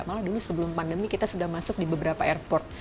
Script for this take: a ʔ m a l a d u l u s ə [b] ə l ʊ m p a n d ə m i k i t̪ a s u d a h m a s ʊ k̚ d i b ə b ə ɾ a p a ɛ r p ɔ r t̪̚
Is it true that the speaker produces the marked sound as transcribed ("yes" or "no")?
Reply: yes